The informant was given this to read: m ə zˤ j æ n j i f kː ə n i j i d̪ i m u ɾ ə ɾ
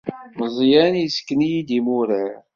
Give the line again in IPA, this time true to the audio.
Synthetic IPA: m ə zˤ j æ n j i s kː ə n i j i d̪ i m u ɾ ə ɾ

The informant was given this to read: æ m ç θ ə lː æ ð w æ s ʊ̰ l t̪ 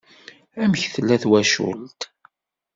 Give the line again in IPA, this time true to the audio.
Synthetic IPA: æ m ç θ ə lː æ θ w æ ʃ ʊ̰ l t̪

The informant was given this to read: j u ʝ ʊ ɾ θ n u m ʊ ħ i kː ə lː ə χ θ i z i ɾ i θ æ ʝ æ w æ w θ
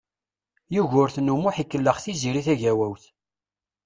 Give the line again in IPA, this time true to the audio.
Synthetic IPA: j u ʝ ʊ ɾ θ n u m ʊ ħ i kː ə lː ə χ θ i z i ɾ i θ æ ʝ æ w æ w θ

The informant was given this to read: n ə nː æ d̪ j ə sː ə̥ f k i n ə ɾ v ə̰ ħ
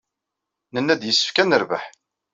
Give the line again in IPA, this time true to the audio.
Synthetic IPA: n ə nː æ d̪ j ə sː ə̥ f k æ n ə ɾ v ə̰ ħ

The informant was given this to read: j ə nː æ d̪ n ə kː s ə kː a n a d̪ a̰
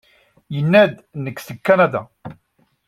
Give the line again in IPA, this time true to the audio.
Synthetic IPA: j ə nː æ d̪ n ə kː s ə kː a n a d̪ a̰

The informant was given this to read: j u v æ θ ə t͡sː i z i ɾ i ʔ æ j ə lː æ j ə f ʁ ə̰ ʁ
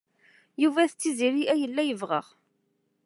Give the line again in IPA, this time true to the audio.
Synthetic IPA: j u v æ θ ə t͡sː i z i ɾ i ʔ æ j ə lː æ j ə v ʁ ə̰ ʁ

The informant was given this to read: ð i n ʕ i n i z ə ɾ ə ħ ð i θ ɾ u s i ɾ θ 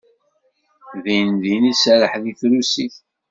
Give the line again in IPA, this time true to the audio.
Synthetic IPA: ð i n ð i n i s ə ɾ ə ħ ð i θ ɾ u s i θ

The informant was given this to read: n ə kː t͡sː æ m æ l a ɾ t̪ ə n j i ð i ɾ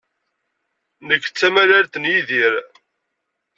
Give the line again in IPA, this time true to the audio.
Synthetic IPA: n ə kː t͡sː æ m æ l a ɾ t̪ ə n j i ð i ɾ

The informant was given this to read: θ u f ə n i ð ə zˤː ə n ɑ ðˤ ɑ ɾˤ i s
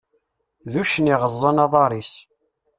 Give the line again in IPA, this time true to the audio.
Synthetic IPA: ð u ʃ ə n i ʁ ə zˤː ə n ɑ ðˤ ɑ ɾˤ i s

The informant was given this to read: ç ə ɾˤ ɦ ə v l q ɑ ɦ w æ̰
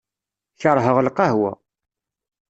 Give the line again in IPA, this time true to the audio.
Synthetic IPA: ç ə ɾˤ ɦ ə ʁ l q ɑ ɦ w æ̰

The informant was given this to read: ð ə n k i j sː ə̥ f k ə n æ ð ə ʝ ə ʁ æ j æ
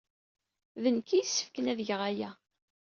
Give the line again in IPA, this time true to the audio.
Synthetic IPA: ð ə n k i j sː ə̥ f k ə n æ ð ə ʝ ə ʁ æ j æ

